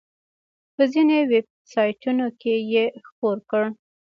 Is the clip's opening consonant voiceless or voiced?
voiceless